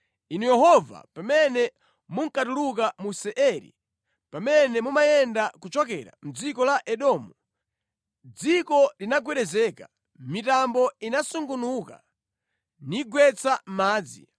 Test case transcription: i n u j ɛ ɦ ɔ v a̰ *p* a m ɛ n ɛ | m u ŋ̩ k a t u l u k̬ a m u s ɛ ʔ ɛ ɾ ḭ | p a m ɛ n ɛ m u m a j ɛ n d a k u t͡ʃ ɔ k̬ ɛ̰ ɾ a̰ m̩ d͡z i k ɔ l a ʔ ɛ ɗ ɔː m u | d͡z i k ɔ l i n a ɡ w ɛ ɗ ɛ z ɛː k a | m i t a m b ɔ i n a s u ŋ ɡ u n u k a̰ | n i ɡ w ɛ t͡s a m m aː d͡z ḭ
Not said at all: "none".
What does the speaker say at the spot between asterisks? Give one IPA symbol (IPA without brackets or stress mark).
p